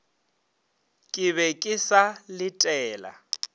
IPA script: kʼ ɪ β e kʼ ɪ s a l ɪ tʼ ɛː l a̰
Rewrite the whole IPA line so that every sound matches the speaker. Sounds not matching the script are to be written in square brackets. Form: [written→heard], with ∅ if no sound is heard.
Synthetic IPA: kʼ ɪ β [e→ɛ] kʼ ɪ s a l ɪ tʼ ɛː l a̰

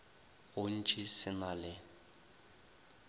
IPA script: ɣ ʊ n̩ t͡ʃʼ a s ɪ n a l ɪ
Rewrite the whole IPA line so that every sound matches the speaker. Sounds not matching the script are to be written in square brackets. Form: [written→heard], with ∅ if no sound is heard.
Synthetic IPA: ɣ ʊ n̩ t͡ʃʼ [a→i] s ɪ n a l ɪ

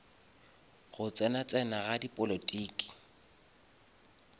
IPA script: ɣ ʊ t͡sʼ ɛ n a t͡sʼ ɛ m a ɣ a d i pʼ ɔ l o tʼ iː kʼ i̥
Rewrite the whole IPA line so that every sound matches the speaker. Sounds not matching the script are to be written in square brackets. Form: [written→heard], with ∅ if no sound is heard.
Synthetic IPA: ɣ ʊ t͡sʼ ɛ n a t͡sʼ ɛ [m→n] a ɣ a d i pʼ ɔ l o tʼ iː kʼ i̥

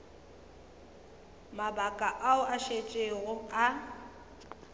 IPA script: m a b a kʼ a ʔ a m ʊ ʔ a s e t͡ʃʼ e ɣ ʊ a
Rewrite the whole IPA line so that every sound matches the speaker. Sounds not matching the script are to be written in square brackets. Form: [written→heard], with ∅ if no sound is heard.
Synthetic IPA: m a b a kʼ a ʔ a [m→∅] ʊ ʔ a [s→ʃ] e t͡ʃʼ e ɣ ʊ a

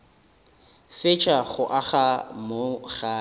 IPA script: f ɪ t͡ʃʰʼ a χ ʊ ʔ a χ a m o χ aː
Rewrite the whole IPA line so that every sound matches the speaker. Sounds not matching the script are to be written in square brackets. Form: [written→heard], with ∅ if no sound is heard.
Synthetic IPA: f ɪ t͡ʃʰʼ a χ ʊ ʔ a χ a m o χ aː

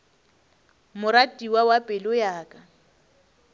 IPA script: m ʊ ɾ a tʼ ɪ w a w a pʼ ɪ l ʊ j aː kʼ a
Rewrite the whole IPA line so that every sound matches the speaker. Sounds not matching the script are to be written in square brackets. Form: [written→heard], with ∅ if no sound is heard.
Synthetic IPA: m ʊ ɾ a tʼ [ɪ→i] w a w a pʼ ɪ l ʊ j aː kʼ a

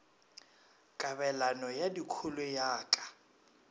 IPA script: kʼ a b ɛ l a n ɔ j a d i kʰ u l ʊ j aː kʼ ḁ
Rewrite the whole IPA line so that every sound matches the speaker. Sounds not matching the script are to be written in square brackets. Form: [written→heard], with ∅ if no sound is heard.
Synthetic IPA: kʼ a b ɛ l a n ɔ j a d i kʰ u l ʊ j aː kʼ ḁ

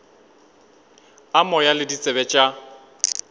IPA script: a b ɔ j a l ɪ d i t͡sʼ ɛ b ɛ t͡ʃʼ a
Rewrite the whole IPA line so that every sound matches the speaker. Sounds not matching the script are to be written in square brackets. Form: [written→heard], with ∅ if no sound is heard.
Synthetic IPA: a [b→m] ɔ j a l ɪ d i t͡sʼ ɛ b ɛ t͡ʃʼ a

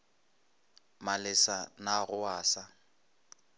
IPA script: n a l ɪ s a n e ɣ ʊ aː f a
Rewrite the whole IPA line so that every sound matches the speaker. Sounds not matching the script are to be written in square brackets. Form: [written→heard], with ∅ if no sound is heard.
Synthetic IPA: [n→m] a l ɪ s a n [e→a] ɣ ʊ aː [f→s] a

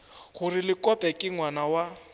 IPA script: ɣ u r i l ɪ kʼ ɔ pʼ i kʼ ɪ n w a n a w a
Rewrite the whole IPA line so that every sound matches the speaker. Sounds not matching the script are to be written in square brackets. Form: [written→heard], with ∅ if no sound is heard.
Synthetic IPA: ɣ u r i l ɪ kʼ ɔ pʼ [i→ɛ] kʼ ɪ [n→ŋ] w a n a w a

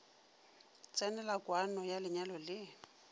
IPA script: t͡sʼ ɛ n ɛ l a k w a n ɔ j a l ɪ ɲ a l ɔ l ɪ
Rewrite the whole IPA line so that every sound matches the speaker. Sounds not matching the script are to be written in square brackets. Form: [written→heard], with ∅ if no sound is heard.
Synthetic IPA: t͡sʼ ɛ n ɛ l a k w a n ɔ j a l ɪ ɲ a l ɔ l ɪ

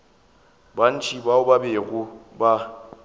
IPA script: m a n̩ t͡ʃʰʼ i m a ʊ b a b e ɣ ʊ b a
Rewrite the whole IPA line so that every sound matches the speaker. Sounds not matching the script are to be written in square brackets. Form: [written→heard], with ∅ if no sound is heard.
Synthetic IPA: [m→b] a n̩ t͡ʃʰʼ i [m→b] a ʊ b a b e ɣ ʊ b a

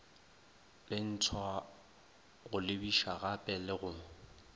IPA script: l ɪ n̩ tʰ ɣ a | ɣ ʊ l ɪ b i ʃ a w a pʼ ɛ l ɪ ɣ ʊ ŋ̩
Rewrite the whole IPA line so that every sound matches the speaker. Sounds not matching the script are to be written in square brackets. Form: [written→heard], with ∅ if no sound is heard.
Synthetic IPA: l ɪ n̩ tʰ [ɣ→w] a | ɣ ʊ l ɪ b i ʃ a [w→ɣ] a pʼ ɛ l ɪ ɣ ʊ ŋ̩

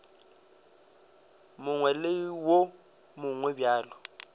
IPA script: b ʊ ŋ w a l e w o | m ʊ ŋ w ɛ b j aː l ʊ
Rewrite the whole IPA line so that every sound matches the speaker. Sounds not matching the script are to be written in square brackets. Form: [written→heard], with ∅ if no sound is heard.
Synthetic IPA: [b→m] ʊ ŋ w [a→ɛ] l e w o | m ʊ ŋ w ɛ b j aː l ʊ

